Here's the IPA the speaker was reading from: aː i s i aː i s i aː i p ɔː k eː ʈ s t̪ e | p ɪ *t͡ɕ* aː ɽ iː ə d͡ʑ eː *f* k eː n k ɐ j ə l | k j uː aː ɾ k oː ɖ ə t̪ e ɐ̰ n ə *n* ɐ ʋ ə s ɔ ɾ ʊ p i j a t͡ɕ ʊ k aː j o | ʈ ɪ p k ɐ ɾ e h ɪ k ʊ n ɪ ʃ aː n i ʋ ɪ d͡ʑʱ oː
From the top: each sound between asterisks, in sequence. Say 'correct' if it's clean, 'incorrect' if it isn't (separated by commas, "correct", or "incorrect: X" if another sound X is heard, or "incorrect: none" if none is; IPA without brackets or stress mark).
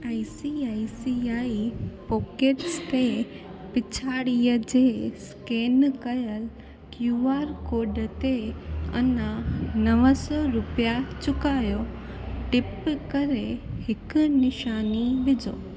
incorrect: t͡ɕʰ, incorrect: s, correct